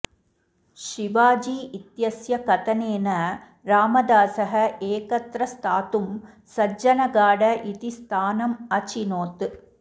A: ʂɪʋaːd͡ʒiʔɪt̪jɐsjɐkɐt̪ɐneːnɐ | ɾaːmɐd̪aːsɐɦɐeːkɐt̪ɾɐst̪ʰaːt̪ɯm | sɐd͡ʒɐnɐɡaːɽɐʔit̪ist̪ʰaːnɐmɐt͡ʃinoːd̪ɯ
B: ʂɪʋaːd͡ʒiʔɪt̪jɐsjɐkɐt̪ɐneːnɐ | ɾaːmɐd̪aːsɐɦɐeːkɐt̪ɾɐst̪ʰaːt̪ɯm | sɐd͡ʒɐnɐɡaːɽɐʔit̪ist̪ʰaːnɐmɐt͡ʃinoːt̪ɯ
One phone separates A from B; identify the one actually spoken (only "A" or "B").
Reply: B